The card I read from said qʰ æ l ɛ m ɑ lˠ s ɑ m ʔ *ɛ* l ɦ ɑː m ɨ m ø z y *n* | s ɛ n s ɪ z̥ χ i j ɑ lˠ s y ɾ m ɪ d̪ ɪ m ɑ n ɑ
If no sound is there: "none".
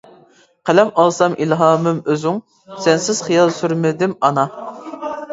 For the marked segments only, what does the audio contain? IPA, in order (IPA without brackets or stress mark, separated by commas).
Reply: i, ŋ